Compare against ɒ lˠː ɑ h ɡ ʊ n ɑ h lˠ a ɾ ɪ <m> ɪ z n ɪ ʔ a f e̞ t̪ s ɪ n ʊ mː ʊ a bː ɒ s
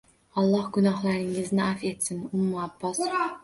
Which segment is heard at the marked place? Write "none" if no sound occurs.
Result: ŋ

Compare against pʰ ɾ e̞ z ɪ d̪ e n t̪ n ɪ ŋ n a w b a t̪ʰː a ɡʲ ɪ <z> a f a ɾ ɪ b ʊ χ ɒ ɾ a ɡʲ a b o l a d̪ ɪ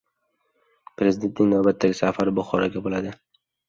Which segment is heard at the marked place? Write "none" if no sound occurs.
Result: s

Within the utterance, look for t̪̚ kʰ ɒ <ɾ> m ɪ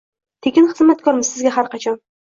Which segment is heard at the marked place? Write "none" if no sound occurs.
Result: ɾ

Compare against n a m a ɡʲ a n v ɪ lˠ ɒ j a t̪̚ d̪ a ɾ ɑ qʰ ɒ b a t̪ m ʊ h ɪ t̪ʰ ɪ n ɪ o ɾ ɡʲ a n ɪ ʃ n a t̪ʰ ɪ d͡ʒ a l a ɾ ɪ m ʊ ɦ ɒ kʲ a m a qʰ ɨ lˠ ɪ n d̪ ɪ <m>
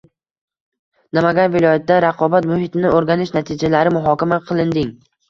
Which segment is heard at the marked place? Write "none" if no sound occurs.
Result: ŋ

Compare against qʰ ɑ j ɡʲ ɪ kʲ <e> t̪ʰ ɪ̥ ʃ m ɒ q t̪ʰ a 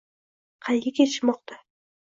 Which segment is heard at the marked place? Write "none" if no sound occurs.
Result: e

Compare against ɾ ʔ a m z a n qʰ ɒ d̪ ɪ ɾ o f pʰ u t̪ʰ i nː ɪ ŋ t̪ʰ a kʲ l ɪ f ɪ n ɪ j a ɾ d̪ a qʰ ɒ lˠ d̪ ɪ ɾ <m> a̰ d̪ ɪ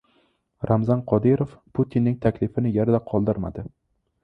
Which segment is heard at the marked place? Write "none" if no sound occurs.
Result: m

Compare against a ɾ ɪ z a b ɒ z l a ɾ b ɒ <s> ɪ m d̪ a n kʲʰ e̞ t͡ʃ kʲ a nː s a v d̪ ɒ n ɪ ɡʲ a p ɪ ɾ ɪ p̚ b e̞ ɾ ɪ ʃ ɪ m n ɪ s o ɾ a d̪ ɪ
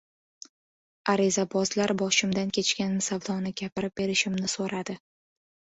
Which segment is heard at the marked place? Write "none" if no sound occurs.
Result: ʃ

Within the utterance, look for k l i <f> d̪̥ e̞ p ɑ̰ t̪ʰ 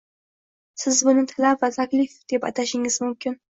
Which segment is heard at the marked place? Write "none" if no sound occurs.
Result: f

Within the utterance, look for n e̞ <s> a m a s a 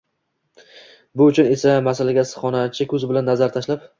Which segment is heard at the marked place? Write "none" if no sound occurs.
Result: s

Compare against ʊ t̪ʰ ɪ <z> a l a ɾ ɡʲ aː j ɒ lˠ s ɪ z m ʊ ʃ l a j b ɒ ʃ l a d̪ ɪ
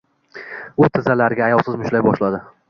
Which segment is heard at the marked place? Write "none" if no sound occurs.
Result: z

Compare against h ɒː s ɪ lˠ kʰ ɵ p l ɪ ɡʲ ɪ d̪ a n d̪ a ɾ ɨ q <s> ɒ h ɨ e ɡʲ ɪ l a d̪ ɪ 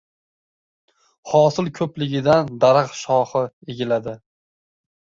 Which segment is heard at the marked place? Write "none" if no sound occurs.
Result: ʃ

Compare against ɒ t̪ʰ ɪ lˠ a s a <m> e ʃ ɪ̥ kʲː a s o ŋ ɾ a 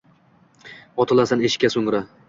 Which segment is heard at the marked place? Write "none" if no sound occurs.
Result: n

